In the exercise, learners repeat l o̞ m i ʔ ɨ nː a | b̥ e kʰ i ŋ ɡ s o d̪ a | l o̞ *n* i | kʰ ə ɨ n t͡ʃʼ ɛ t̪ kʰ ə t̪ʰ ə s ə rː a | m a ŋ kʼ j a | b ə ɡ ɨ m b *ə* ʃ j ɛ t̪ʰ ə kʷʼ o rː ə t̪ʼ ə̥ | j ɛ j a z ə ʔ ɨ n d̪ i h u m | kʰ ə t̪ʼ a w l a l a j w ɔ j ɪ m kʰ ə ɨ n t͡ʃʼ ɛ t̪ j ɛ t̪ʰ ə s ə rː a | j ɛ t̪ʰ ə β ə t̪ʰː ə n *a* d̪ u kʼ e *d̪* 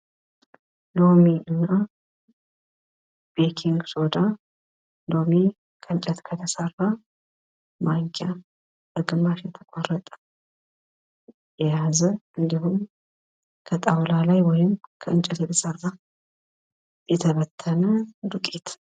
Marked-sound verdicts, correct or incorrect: incorrect: m, incorrect: a, incorrect: ə, incorrect: t̪

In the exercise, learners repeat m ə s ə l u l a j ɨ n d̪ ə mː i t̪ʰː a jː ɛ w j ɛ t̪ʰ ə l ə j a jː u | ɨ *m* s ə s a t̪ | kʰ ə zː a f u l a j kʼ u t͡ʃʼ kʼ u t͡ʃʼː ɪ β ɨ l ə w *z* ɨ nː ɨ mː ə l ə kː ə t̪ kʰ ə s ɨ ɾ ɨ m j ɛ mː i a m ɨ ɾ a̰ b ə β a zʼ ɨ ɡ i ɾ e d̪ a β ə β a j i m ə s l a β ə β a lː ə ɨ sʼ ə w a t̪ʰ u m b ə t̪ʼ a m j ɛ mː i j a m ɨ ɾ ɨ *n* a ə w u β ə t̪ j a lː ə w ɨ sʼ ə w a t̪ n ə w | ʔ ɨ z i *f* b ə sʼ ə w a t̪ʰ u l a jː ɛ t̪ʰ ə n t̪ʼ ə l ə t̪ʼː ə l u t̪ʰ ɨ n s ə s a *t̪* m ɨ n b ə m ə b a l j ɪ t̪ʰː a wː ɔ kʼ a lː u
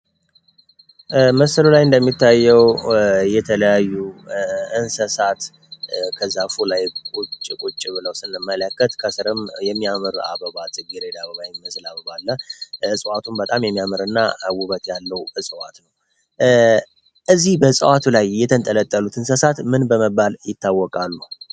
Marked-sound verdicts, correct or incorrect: incorrect: n, incorrect: s, incorrect: nː, incorrect: h, correct

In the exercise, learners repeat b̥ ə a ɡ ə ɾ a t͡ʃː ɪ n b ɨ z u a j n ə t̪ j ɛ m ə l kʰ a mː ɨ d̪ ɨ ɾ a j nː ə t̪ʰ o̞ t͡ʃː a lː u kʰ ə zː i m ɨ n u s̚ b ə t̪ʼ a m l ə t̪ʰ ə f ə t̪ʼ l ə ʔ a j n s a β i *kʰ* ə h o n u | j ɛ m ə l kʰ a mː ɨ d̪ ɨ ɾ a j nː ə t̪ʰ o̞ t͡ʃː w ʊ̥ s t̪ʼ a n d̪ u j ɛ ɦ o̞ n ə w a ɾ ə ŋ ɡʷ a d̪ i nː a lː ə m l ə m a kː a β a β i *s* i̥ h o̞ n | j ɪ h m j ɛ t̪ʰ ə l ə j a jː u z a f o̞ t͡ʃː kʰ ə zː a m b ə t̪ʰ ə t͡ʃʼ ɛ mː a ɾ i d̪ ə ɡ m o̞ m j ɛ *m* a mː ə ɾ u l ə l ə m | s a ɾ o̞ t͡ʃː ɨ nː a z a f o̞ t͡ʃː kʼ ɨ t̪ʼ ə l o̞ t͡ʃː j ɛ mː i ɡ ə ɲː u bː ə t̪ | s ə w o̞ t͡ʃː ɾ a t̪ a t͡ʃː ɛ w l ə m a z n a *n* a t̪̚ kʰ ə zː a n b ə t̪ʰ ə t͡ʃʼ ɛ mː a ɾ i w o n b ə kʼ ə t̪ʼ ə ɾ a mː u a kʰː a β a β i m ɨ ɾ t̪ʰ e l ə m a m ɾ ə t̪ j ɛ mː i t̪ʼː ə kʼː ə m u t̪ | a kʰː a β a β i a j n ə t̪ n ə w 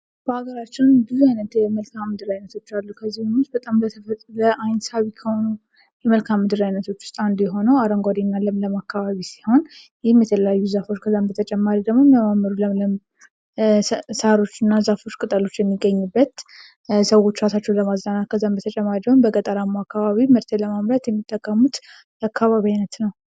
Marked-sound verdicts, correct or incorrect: correct, correct, correct, correct

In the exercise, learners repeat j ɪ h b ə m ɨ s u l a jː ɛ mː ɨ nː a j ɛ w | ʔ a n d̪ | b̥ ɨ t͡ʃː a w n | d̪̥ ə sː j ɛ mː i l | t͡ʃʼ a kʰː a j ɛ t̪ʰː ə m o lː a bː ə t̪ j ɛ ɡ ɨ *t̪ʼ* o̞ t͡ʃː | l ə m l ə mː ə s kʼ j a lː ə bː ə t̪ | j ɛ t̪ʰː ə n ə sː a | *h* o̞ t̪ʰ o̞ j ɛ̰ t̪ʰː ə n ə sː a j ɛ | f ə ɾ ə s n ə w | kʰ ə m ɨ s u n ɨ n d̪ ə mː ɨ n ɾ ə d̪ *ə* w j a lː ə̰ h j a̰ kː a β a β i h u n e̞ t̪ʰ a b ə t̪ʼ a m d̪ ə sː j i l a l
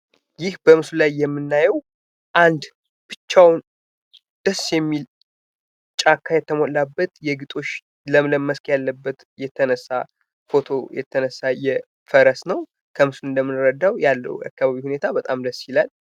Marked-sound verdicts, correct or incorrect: correct, incorrect: f, incorrect: a

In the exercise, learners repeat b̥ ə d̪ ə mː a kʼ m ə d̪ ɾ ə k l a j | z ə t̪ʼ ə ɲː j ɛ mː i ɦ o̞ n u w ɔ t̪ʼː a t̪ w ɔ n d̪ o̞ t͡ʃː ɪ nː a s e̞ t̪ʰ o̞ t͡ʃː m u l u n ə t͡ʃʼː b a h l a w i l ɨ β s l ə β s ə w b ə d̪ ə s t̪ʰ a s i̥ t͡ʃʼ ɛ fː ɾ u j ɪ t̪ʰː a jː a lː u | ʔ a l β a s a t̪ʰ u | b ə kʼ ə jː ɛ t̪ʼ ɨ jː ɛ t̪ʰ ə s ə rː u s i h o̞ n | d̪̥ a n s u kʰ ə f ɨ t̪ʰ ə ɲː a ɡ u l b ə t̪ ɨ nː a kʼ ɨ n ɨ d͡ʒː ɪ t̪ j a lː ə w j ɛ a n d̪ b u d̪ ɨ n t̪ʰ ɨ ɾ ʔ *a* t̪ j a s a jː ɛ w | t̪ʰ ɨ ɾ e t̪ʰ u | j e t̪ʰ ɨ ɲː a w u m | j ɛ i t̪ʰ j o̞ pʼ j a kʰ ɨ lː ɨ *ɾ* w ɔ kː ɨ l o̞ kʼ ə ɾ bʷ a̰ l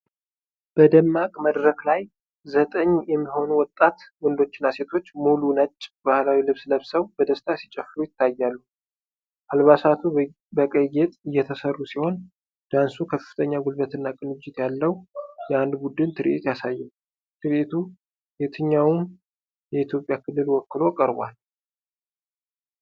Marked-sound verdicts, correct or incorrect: incorrect: e, incorrect: l

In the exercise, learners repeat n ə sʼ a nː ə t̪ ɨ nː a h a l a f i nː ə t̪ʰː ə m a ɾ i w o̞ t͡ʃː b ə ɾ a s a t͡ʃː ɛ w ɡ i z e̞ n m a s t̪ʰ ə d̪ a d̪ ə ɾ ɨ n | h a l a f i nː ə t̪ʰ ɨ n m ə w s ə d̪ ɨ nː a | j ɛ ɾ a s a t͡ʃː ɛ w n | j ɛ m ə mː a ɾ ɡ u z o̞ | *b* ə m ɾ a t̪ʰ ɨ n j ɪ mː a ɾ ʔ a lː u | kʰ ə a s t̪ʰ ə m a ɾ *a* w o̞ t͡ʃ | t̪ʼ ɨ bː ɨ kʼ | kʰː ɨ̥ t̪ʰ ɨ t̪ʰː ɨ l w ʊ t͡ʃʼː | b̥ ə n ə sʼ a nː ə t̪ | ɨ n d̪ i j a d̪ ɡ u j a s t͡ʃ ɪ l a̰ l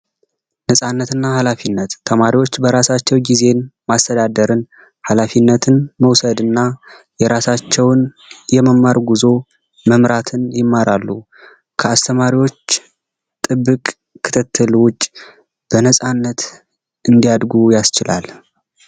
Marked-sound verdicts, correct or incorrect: incorrect: m, incorrect: i

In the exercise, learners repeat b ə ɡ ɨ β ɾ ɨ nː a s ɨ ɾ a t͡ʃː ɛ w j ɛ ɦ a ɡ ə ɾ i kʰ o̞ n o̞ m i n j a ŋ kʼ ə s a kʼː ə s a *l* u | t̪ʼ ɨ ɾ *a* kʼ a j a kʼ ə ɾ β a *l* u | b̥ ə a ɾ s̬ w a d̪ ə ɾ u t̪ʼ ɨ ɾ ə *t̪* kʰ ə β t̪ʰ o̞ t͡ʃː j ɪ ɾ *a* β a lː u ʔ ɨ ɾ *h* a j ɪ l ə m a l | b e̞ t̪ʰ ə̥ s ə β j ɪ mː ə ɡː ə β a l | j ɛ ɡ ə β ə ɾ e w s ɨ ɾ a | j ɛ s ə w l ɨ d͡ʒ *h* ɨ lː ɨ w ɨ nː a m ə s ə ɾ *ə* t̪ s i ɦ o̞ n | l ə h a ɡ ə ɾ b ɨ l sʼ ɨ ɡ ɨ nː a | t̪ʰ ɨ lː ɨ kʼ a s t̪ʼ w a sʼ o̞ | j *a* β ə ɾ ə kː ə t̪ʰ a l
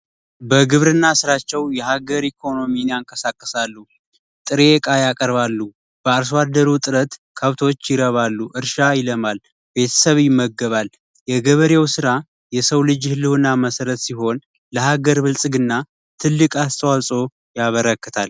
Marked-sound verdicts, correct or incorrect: incorrect: lː, incorrect: e, incorrect: lː, correct, incorrect: ə, incorrect: ʃ, correct, correct, correct

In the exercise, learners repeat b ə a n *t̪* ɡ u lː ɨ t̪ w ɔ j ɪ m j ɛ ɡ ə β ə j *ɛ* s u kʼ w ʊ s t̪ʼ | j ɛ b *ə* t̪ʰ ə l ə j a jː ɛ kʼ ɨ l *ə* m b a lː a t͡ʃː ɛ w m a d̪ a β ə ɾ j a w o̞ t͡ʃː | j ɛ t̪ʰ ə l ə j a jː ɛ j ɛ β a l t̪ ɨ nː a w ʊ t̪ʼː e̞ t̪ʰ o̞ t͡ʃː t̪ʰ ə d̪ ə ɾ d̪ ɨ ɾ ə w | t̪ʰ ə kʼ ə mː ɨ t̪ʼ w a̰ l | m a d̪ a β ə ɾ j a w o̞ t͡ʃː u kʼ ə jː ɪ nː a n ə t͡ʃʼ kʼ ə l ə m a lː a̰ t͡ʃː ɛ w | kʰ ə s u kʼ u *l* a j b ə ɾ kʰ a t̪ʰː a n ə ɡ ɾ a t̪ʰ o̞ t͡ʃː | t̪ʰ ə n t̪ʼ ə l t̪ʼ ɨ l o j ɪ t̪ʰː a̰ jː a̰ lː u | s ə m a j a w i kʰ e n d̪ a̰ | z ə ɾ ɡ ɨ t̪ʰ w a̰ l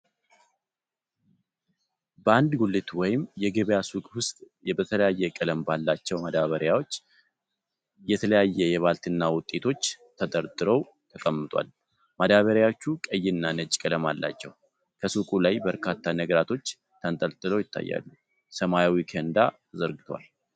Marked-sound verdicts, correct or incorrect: incorrect: d̪, incorrect: a, correct, correct, correct

